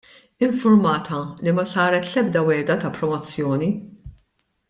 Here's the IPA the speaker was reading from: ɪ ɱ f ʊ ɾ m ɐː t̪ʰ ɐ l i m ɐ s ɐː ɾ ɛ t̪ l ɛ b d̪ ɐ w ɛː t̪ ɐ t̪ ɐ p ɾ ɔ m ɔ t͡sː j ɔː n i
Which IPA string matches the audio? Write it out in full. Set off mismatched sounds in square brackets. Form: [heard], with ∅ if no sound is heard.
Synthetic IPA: ɪ ɱ f ʊ ɾ m ɐː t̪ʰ ɐ l i m ɐ s ɐː ɾ ɛ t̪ l ɛ b d̪ ɐ w ɛː [d̪] ɐ t̪ ɐ p ɾ ɔ m ɔ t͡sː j ɔː n i